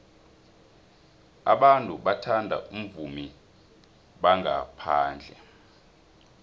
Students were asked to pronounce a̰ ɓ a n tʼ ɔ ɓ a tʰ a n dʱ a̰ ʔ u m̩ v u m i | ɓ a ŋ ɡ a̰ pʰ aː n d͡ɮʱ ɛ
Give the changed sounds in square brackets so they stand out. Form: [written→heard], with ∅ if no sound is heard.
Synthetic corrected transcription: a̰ ɓ a n tʼ [ɔ→u] ɓ a tʰ a n dʱ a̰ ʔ u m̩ v u m i | ɓ a ŋ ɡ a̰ pʰ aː n d͡ɮʱ ɛ